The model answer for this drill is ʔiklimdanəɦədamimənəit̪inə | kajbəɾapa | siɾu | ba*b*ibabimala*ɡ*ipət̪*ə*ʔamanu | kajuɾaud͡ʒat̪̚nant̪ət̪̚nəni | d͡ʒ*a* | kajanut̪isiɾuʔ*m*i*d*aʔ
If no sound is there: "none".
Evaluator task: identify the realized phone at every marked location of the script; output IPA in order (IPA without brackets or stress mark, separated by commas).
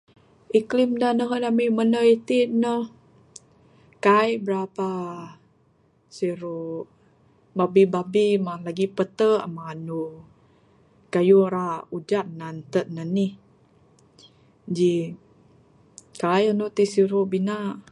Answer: b, ɡ, ə, i, b, n